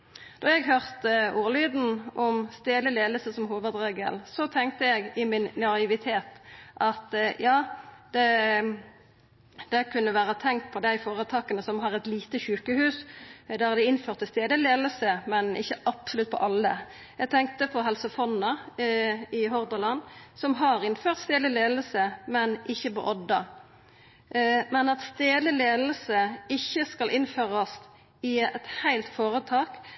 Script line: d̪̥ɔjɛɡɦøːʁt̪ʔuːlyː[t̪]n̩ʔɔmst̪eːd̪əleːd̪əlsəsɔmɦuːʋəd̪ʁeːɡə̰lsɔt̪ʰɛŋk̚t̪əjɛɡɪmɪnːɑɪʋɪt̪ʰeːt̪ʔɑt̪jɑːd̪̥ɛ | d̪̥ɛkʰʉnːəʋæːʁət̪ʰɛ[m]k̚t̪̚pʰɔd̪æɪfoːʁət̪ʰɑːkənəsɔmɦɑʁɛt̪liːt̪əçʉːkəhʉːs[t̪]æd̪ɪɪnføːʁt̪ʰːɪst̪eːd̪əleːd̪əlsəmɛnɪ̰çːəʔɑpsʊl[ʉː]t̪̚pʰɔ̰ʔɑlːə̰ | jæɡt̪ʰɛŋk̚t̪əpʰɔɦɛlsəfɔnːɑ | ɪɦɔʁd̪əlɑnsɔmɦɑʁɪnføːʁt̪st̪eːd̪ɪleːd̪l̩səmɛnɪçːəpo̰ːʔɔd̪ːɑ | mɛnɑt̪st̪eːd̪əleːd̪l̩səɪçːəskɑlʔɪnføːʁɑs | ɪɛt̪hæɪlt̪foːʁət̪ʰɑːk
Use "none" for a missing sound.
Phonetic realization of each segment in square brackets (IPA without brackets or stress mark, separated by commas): d̪, ŋ, d̪, ʉ